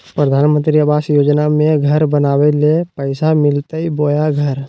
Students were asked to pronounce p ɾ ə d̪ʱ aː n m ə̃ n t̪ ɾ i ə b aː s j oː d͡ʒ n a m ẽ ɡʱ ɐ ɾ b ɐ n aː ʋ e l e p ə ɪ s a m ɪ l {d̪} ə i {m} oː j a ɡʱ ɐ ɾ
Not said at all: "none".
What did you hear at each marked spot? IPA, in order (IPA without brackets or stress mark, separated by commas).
t̪, b